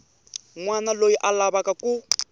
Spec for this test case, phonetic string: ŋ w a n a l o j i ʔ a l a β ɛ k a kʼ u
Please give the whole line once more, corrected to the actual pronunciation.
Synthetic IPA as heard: ŋ w a n a l o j i ʔ a l a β a k a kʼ u